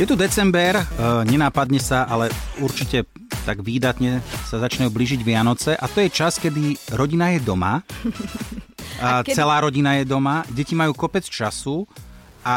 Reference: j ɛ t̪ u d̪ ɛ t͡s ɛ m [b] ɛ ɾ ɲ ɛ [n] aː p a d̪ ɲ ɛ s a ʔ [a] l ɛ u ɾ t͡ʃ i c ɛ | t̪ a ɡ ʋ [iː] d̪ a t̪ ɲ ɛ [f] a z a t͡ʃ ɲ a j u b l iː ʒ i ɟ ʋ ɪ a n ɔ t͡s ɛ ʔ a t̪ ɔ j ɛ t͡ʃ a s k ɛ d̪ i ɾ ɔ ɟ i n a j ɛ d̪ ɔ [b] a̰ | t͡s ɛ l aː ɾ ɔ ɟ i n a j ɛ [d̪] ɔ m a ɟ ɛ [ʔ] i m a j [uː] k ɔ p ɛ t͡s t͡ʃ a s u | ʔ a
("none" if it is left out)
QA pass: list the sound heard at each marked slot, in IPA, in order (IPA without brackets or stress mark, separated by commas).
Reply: b, n, a, iː, s, m, d̪, c, uː